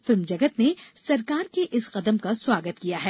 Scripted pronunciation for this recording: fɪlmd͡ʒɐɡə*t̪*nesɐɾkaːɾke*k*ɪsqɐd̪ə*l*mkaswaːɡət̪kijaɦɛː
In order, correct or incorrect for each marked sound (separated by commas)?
correct, incorrect, incorrect